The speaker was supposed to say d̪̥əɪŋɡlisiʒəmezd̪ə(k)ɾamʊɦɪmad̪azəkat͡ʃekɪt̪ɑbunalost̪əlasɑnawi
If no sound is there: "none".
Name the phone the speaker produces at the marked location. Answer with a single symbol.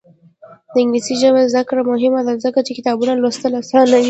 k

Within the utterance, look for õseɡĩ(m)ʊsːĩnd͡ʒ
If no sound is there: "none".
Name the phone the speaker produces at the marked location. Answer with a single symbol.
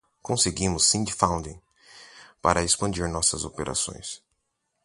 m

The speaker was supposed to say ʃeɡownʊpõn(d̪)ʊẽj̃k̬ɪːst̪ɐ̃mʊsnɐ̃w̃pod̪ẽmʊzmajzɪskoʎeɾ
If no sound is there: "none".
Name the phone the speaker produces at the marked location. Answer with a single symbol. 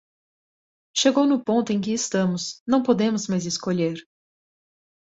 t̪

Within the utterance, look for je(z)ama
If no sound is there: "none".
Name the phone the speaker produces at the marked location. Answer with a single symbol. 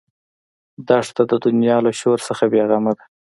ɣ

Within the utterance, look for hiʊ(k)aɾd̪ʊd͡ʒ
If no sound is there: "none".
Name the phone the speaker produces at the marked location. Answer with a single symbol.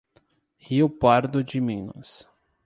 p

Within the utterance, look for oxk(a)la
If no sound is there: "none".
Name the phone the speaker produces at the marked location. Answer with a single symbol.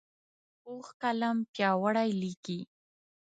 a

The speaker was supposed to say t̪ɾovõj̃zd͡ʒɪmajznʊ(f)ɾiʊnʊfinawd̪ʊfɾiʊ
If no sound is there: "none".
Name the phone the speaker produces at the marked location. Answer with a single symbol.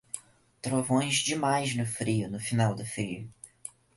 f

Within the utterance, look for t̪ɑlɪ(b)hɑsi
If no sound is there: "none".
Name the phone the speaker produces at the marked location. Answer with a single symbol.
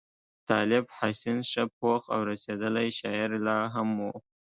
b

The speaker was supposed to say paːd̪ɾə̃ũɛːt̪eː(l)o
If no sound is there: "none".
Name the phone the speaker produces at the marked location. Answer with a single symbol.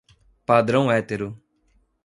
ɾ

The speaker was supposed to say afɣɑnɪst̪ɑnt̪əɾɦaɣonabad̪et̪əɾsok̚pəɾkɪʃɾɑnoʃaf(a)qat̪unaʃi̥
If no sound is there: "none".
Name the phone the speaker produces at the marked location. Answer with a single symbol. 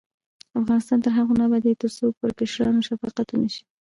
ɑ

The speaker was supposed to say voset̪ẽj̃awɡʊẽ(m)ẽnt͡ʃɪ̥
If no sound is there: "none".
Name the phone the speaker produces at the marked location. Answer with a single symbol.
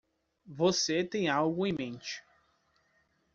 m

